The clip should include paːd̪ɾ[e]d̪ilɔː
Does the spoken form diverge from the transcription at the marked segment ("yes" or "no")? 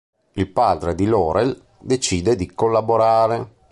no